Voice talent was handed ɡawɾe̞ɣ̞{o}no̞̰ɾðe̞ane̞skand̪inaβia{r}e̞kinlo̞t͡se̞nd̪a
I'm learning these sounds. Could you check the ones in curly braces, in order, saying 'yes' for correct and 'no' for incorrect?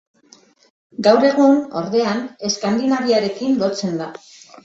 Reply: no, no

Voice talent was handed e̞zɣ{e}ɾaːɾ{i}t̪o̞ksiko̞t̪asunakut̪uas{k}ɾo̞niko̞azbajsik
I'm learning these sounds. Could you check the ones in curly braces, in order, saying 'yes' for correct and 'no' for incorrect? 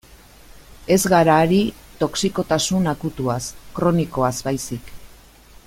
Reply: no, yes, yes

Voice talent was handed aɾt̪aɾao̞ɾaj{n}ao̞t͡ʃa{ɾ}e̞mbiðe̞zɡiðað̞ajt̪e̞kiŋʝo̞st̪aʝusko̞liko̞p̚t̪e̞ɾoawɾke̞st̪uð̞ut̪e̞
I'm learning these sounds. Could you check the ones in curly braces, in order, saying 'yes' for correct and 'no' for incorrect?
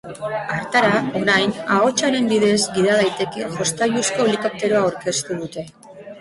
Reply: yes, yes

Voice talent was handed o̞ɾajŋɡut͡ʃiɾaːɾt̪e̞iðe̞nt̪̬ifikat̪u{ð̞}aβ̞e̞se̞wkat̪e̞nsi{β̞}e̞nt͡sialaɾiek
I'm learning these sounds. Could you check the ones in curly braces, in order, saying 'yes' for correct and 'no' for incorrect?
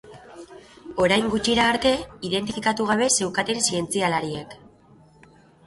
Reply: no, no

